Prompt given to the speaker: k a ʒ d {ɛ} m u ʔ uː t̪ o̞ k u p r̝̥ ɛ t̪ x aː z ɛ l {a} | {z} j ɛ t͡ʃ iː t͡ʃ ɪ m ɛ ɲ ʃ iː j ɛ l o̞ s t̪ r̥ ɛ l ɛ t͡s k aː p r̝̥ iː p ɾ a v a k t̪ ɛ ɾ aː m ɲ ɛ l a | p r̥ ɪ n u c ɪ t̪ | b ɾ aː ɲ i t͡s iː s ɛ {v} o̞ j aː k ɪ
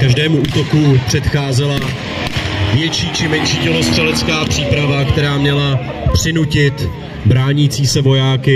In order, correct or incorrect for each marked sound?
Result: incorrect: ɛː, correct, incorrect: v, correct

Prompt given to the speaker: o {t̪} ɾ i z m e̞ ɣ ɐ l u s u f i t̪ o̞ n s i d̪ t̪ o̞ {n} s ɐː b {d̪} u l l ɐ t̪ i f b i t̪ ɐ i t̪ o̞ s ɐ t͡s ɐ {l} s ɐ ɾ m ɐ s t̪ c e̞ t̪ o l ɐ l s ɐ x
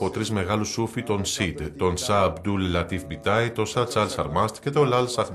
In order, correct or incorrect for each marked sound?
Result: correct, correct, correct, correct

